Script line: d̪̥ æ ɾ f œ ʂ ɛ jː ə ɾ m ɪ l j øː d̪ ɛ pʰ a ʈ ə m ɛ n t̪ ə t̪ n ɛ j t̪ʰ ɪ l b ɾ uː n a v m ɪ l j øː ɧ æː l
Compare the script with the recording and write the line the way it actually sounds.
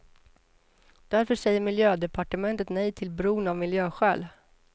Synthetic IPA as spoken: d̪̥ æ ɾ f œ ʂ ɛ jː ə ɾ m ɪ l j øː d̪ ɛ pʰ a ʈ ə m ɛ n t̪ ə t̪ n ɛ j t̪ʰ ɪ l b ɾ uː n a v m ɪ l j øː ɧ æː l